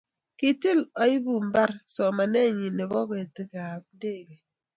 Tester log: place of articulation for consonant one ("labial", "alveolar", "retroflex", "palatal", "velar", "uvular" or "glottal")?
velar